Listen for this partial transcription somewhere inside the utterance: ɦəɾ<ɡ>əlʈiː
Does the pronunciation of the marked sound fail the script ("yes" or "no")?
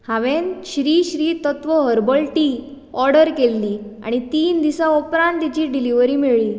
yes